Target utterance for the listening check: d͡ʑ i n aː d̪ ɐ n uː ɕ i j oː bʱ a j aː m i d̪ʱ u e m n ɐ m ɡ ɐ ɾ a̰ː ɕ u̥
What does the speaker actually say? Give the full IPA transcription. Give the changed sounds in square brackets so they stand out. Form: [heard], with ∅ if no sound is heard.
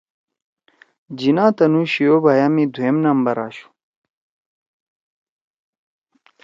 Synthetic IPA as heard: d͡ʑ i n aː [t̪] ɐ n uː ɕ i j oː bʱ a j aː m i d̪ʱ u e m n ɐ m [b] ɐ ɾ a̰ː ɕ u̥